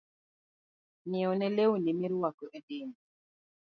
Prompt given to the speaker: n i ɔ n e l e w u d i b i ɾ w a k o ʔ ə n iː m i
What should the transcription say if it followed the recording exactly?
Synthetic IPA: n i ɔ n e l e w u n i m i ɾ w a k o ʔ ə d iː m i